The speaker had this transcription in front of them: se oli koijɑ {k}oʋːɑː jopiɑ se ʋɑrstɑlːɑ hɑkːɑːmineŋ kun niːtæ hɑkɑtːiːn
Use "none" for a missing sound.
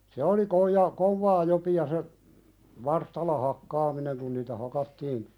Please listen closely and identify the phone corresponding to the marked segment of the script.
k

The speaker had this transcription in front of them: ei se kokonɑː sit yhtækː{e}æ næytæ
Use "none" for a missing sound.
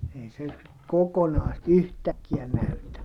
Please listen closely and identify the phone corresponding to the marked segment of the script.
i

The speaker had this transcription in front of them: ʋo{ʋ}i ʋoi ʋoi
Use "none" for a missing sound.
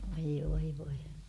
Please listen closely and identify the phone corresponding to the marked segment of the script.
none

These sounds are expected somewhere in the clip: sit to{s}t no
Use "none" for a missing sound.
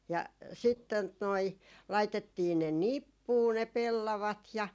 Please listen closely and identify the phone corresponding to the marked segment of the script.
none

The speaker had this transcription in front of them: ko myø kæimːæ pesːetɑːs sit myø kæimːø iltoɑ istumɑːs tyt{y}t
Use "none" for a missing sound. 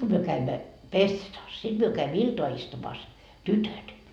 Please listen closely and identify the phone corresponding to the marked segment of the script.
ø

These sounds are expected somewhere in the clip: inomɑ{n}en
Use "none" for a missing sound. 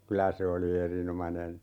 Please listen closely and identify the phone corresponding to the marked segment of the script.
n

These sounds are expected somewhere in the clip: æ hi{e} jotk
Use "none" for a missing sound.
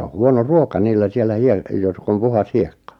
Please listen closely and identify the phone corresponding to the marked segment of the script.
e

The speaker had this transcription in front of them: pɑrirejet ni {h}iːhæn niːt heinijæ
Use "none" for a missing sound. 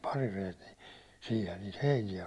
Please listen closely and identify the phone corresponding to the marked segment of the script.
s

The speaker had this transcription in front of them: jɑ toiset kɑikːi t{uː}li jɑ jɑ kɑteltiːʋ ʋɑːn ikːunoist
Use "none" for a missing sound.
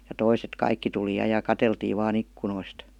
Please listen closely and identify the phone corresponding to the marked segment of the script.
u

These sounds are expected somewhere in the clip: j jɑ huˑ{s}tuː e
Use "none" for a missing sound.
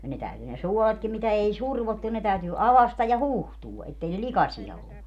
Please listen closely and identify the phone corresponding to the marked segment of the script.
h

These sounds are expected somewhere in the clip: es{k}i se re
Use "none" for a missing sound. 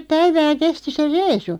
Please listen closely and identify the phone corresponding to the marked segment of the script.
t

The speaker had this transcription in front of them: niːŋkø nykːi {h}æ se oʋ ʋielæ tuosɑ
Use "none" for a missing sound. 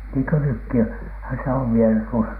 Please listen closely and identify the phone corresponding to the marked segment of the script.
h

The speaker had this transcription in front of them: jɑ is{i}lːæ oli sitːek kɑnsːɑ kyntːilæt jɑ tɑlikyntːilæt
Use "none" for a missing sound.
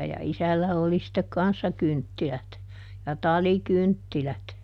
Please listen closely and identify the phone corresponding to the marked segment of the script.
æ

